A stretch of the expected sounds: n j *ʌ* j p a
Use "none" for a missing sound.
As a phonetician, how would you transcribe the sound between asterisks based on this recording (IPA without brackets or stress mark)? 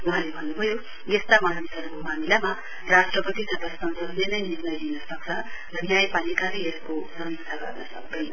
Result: a